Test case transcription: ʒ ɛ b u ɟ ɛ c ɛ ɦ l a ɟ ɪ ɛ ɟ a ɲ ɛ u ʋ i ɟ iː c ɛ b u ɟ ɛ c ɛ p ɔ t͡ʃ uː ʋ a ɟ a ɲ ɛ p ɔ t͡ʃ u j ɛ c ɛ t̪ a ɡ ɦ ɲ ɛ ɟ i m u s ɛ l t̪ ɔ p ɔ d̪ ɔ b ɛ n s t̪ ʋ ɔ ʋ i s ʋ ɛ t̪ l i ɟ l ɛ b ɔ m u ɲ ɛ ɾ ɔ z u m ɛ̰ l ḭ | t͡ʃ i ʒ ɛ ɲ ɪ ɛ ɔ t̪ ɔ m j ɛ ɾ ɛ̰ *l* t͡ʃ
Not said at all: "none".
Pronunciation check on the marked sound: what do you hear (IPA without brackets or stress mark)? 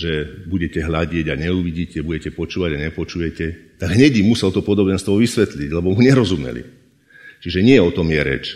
none